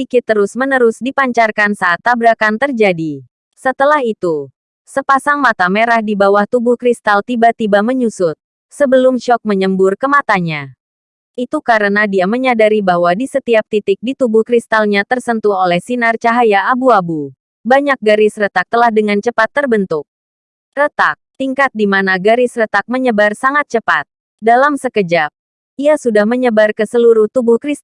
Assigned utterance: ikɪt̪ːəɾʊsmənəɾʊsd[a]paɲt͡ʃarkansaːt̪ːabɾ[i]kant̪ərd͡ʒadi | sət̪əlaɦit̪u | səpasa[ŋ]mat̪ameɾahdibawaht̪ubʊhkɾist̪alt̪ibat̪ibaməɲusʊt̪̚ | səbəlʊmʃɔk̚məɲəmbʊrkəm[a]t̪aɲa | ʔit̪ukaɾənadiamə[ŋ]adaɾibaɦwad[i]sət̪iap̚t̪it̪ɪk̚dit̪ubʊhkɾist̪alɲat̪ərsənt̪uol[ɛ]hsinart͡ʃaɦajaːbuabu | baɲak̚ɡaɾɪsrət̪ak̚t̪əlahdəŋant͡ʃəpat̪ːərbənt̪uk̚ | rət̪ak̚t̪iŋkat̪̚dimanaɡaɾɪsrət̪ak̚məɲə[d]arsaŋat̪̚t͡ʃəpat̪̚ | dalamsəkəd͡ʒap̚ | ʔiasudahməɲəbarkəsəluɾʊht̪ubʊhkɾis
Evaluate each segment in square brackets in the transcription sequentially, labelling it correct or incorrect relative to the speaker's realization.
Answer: incorrect: i, incorrect: a, correct, correct, incorrect: ɲ, correct, correct, incorrect: b

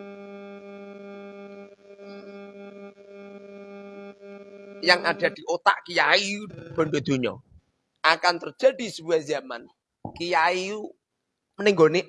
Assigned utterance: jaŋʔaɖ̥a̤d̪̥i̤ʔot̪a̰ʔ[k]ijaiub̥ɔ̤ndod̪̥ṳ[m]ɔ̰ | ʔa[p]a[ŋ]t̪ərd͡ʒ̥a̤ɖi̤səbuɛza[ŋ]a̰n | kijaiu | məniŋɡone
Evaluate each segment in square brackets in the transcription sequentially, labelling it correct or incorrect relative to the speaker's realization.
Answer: correct, incorrect: ɲ, incorrect: k, incorrect: n, incorrect: m

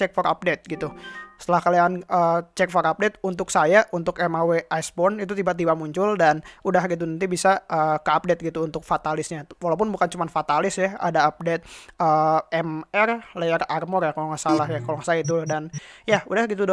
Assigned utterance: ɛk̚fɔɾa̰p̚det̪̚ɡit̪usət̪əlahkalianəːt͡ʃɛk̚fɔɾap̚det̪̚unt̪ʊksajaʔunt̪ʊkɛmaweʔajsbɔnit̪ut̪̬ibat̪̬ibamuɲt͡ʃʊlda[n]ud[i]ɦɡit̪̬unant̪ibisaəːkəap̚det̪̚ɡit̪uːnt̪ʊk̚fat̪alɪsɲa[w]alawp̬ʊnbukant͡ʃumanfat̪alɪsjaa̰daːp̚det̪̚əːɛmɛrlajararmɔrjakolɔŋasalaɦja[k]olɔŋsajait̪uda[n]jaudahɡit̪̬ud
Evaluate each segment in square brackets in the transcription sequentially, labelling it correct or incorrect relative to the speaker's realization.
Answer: correct, incorrect: a, correct, correct, correct

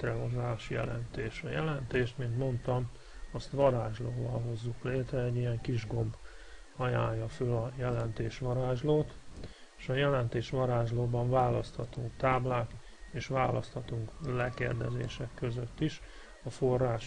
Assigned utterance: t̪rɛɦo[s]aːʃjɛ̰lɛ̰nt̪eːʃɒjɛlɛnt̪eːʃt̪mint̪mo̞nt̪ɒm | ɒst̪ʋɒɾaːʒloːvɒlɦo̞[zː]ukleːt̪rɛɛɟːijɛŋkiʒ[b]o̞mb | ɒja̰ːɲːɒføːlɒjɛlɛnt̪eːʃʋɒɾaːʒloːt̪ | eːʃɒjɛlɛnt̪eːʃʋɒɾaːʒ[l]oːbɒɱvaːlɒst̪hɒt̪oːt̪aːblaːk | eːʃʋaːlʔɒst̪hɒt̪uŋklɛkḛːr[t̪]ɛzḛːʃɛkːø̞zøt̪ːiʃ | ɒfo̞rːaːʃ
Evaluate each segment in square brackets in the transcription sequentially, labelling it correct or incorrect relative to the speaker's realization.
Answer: incorrect: z, correct, incorrect: ɡ, correct, incorrect: d̪

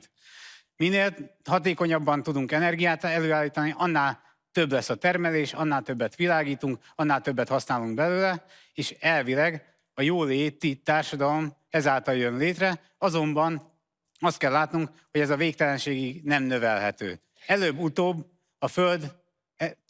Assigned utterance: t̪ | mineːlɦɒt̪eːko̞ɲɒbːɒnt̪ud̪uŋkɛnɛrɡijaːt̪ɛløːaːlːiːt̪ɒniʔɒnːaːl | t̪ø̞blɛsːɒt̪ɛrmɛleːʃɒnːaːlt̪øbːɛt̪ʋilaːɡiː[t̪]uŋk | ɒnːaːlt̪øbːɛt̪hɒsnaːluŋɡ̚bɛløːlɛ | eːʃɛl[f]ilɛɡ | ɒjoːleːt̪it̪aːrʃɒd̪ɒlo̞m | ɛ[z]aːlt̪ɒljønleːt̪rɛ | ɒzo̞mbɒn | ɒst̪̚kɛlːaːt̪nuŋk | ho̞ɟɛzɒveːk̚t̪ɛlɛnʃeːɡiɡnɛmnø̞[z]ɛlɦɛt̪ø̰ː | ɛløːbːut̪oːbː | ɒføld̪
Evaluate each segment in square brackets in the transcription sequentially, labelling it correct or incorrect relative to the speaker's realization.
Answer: correct, incorrect: v, correct, incorrect: v

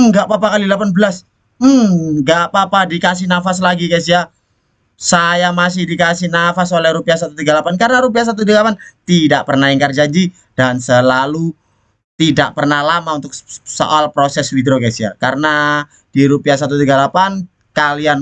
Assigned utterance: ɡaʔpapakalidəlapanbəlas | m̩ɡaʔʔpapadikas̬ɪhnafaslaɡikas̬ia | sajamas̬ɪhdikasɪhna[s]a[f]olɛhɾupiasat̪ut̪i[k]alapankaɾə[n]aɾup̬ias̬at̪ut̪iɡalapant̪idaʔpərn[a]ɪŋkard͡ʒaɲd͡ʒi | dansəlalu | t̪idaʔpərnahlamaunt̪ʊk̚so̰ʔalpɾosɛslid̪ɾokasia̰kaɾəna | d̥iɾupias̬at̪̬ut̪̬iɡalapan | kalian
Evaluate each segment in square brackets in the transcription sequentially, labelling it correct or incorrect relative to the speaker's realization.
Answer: incorrect: f, incorrect: s, incorrect: ɡ, correct, correct

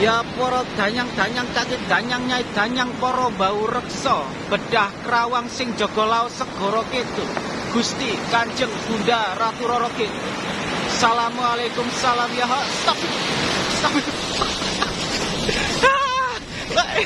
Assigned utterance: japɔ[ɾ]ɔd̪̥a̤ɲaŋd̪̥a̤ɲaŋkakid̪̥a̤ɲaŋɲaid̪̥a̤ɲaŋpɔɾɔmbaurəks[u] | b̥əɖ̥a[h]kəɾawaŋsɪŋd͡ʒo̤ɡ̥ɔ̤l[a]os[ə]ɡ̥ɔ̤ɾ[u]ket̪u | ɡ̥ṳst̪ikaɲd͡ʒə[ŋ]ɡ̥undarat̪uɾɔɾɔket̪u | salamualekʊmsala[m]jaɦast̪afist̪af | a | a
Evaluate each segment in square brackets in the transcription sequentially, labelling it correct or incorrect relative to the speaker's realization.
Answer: correct, incorrect: ɔ, correct, correct, correct, incorrect: ɔ, correct, correct

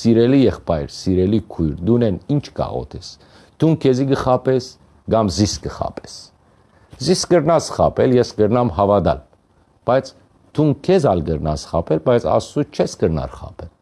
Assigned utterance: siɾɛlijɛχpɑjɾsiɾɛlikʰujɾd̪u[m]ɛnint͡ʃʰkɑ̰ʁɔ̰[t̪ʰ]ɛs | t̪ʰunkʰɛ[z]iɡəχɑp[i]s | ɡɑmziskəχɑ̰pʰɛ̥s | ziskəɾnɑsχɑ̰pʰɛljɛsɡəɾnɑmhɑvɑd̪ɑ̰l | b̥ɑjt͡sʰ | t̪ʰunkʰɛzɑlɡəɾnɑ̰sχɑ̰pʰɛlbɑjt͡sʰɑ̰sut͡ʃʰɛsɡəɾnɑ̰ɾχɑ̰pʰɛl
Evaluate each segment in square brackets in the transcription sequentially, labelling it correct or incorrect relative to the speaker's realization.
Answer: incorrect: n, correct, correct, incorrect: ɛ

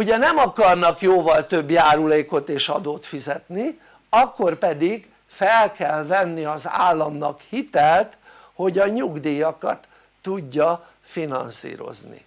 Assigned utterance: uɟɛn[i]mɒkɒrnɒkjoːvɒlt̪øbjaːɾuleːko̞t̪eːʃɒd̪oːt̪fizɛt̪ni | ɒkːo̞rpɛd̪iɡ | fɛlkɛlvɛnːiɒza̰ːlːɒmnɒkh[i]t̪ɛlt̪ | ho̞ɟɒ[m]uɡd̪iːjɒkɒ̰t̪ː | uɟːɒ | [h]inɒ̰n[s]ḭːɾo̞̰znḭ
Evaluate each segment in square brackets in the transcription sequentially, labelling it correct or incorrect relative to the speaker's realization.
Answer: incorrect: ɛ, correct, incorrect: ɲ, incorrect: f, correct

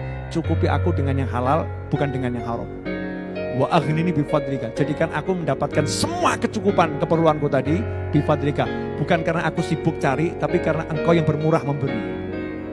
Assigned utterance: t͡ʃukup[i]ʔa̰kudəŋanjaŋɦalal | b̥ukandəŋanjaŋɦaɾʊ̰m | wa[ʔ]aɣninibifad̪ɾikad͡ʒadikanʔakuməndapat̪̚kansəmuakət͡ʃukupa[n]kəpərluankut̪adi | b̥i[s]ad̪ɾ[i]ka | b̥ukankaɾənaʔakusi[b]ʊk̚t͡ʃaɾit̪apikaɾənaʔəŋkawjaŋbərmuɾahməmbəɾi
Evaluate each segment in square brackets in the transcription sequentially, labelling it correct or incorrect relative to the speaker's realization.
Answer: correct, correct, correct, incorrect: f, correct, correct

